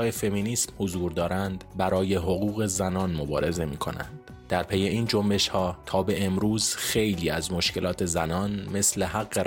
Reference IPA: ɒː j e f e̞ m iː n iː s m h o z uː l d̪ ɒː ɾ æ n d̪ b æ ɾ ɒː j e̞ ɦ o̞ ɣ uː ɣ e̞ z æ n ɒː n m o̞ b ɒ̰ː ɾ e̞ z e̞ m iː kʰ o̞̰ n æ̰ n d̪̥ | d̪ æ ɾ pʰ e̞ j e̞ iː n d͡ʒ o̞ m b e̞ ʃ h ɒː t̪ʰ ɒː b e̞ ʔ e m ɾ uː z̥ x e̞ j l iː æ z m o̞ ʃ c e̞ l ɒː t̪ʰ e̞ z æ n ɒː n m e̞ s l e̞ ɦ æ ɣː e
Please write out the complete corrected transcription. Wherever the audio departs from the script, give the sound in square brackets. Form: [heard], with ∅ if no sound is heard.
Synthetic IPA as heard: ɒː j e f e̞ m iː n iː s m h o z uː [ɾ] d̪ ɒː ɾ æ n d̪ b æ ɾ ɒː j e̞ ɦ o̞ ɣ uː ɣ e̞ z æ n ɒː n m o̞ b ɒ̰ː ɾ e̞ z e̞ m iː kʰ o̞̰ n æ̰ n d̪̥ | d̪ æ ɾ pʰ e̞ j e̞ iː n d͡ʒ o̞ m b e̞ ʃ h ɒː t̪ʰ ɒː b e̞ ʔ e m ɾ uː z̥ x e̞ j l iː æ z m o̞ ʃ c e̞ l ɒː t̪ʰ e̞ z æ n ɒː n m e̞ s l e̞ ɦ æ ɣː e